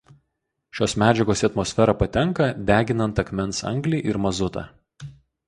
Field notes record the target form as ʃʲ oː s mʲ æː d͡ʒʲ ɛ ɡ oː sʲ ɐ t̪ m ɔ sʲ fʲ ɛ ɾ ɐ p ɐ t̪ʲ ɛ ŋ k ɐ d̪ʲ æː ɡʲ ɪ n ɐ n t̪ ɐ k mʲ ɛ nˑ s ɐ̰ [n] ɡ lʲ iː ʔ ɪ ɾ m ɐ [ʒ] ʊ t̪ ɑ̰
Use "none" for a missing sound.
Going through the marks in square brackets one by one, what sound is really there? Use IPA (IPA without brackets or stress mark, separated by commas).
ŋ, z